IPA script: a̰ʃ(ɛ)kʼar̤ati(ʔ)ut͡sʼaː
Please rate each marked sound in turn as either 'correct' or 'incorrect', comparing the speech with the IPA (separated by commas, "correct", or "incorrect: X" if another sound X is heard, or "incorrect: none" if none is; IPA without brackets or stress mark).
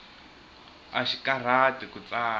incorrect: i, incorrect: k